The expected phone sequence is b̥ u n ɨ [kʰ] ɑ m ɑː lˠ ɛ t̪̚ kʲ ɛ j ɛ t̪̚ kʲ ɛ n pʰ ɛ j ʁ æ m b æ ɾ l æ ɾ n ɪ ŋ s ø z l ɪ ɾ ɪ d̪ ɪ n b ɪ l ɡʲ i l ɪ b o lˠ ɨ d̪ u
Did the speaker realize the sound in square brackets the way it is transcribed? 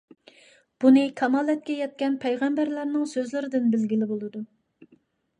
yes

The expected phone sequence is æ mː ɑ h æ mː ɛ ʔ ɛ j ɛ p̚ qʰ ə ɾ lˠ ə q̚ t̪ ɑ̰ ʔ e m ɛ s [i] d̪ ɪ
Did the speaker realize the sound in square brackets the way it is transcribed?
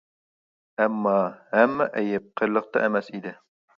yes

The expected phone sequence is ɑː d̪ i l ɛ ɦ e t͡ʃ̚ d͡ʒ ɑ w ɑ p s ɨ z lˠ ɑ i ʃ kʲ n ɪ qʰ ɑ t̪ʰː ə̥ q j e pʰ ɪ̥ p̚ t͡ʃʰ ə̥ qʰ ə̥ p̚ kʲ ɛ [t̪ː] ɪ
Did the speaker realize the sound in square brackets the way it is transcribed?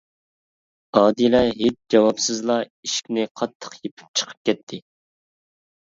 no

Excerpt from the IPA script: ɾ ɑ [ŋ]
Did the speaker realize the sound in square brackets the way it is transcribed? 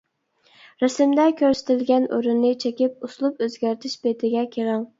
yes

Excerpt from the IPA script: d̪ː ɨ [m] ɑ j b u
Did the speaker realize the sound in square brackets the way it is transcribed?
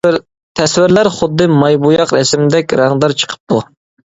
yes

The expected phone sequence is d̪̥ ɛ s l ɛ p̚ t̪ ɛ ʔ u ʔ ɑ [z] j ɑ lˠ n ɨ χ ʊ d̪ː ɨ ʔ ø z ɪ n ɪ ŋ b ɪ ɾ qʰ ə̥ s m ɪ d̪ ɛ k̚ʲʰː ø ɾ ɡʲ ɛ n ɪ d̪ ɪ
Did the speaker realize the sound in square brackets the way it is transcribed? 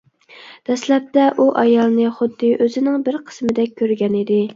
no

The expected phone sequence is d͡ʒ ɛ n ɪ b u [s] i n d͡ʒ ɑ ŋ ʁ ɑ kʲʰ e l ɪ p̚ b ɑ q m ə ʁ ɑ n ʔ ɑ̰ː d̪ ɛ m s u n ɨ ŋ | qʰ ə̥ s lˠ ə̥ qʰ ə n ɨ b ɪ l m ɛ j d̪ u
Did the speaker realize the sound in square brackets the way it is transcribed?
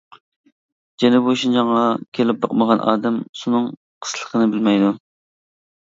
no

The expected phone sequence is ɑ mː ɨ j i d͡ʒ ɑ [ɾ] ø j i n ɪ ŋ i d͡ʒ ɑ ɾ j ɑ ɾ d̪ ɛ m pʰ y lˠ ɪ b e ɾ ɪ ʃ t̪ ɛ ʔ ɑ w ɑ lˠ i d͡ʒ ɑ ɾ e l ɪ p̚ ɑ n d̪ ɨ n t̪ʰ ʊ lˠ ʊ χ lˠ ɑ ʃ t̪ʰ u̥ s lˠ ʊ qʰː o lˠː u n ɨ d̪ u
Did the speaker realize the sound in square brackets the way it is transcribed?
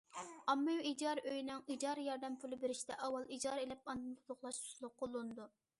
yes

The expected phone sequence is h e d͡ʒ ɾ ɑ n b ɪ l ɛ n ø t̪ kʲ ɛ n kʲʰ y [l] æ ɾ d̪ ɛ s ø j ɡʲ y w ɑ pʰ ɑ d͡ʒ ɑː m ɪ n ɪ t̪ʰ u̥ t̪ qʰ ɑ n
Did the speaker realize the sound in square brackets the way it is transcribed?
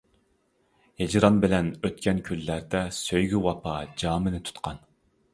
no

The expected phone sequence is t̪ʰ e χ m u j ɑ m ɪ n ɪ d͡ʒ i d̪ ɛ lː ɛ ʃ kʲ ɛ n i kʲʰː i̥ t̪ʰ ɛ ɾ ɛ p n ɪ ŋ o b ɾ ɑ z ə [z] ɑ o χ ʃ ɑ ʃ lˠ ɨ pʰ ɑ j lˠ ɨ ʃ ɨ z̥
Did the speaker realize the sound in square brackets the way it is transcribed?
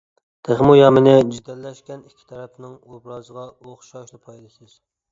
no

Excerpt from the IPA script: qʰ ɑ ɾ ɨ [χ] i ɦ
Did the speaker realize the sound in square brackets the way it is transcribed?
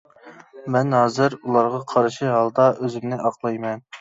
no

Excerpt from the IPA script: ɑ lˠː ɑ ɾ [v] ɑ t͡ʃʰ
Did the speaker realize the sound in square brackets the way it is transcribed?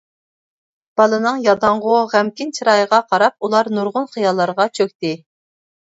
no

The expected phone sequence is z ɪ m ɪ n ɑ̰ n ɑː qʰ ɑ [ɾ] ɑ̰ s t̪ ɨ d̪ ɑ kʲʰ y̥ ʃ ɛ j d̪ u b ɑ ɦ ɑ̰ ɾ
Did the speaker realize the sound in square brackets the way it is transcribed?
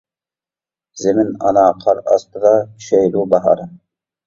yes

